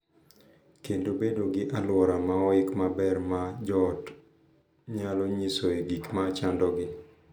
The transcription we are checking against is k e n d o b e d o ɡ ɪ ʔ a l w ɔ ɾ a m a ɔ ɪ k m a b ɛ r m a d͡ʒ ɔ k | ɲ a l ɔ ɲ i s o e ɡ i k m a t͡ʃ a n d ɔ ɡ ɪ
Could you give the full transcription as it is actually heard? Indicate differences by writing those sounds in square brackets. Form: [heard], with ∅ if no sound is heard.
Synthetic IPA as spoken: k e n d o b e d o ɡ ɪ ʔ a l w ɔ ɾ a m a ɔ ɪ k m a b ɛ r m a d͡ʒ ɔ [t] | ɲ a l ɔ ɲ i s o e ɡ i k m a t͡ʃ a n d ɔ ɡ ɪ